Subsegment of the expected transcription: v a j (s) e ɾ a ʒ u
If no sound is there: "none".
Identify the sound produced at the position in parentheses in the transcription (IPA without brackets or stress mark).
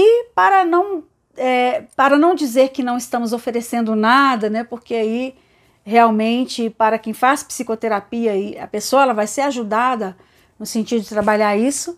s